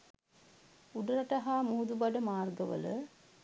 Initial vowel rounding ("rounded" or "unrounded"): rounded